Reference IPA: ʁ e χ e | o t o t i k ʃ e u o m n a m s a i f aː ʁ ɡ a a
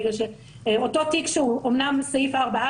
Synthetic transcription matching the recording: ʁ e ʃ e | o t o t i k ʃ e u o m n a m s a i f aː ʁ b a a